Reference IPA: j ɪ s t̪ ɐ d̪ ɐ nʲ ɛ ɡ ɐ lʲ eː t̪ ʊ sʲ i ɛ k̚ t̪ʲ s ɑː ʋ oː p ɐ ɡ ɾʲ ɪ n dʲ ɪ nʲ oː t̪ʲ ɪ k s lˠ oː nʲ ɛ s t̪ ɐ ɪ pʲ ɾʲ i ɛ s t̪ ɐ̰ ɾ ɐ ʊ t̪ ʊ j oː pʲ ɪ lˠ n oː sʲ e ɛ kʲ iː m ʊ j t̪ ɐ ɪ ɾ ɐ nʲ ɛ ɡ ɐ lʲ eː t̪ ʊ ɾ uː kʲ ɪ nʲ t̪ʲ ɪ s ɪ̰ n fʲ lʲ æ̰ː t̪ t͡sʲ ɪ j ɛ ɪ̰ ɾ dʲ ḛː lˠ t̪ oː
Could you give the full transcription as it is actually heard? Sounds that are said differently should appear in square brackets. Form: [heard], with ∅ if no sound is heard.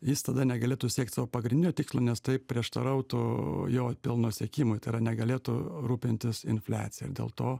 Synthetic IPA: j ɪ s t̪ ɐ d̪ ɐ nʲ ɛ ɡ ɐ lʲ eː t̪ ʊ sʲ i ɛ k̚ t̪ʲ s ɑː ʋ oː p ɐ ɡ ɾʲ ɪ n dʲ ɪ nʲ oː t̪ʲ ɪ k s lˠ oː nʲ ɛ s t̪ ɐ ɪ pʲ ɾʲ i ɛ [ʃ] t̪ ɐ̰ ɾ ɐ ʊ t̪ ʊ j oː pʲ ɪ lˠ n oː sʲ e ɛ kʲ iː m ʊ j t̪ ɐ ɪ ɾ ɐ nʲ ɛ ɡ ɐ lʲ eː t̪ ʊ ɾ uː [pʲ] ɪ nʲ t̪ʲ ɪ s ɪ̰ n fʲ lʲ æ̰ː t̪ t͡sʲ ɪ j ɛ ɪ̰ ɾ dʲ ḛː lˠ t̪ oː